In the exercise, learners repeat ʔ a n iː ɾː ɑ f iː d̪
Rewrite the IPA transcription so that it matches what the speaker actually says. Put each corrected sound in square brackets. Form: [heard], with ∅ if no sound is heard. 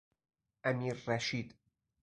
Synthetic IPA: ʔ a [m] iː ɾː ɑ [ʃ] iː d̪